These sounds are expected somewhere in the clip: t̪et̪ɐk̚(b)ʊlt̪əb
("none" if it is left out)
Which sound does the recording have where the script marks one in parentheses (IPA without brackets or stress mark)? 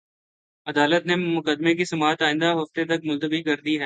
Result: m